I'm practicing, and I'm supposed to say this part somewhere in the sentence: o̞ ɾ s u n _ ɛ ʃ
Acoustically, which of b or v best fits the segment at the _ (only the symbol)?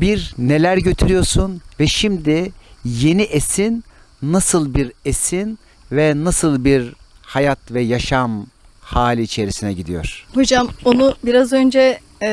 v